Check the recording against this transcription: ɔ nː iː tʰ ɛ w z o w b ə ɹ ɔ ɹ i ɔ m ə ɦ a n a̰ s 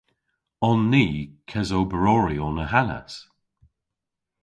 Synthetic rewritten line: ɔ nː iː kʰ ɛ z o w b ə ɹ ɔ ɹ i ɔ n ə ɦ a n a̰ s